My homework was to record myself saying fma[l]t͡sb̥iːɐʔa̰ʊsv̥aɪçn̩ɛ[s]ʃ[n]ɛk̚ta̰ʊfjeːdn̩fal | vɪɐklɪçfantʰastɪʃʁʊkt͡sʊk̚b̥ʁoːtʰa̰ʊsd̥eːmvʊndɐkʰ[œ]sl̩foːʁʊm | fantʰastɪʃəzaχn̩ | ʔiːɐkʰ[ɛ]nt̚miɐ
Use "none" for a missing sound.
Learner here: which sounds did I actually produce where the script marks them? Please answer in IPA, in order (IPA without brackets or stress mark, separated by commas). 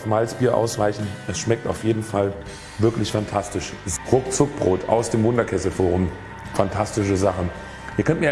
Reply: l, s, m, ɛ, œ